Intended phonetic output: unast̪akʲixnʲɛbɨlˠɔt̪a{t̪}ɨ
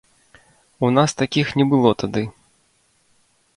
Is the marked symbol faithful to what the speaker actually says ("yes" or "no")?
no